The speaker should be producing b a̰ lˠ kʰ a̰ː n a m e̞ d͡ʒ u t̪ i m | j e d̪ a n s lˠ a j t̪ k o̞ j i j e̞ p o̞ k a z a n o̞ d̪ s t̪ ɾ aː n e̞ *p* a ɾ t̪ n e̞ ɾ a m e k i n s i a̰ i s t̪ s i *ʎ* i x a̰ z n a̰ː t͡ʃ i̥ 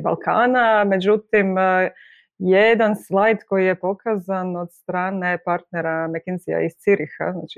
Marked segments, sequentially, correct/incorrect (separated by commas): correct, incorrect